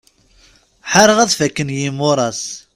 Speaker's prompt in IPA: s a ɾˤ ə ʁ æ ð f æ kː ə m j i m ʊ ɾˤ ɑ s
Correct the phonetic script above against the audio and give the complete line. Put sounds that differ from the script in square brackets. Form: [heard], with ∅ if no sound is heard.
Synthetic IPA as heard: [ħ] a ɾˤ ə ʁ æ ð f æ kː ə [n] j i m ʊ ɾˤ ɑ s